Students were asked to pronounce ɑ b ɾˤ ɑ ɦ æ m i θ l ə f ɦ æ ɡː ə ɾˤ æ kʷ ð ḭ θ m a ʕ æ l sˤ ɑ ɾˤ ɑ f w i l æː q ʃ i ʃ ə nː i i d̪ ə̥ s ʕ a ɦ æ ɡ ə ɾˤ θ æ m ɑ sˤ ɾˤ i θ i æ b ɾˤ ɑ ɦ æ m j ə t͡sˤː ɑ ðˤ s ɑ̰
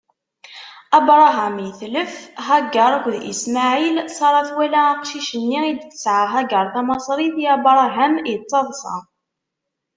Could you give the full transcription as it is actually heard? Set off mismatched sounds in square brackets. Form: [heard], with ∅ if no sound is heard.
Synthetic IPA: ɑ b ɾˤ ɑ ɦ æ m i θ l ə f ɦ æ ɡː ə ɾˤ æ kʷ ð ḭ [s] m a ʕ [i] l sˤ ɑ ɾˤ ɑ [θ] w [æ] l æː q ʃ i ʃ ə nː i i d̪ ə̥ s ʕ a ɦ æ ɡ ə ɾˤ θ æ m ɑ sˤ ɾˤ i θ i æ b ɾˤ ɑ ɦ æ m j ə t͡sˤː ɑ ðˤ s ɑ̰